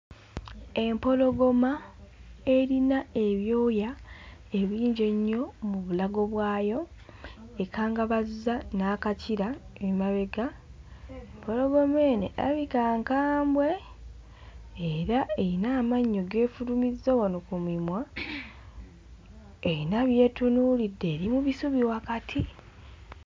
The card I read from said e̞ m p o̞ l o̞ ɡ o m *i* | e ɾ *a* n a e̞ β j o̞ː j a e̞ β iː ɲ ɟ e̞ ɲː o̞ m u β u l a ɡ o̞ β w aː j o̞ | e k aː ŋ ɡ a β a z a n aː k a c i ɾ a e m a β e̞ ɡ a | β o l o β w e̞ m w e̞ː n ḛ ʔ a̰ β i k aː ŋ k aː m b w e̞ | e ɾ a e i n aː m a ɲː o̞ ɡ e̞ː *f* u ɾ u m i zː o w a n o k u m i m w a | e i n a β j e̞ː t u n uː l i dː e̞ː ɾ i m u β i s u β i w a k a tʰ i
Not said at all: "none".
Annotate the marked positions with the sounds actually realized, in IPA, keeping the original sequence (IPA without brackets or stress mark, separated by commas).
a, i, f